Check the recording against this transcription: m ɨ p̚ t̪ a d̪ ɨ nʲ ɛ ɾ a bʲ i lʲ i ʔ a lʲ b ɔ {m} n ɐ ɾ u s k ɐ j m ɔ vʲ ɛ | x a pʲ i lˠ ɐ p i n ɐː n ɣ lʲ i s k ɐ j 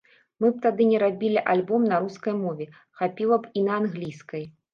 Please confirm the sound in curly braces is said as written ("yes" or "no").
yes